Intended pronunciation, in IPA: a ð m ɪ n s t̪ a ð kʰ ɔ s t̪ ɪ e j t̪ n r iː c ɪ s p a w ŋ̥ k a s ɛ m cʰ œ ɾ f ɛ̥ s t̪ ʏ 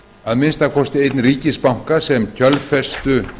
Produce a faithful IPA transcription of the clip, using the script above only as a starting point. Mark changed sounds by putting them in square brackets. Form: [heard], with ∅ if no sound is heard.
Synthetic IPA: a ð m ɪ n s t̪ a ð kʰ ɔ s t̪ ɪ e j t̪ n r iː c ɪ s p a w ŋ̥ k a s ɛ m cʰ œ [l] f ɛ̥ s t̪ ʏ